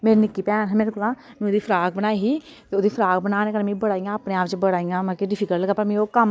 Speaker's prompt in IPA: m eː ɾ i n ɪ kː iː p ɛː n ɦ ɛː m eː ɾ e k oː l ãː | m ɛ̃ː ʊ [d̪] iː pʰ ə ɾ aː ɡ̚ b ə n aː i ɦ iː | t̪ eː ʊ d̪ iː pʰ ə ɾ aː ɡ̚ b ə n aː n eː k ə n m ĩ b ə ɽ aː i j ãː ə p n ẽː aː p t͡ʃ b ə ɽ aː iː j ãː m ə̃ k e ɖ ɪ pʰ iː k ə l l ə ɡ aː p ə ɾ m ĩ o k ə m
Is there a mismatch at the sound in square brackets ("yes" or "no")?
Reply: no